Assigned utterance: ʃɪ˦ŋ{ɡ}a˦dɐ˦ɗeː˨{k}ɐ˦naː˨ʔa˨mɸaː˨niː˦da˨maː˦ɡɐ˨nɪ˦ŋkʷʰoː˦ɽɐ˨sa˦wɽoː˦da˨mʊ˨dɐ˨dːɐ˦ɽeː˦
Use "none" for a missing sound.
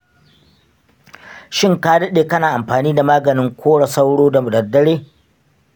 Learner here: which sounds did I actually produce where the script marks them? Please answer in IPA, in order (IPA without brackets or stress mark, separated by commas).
k, k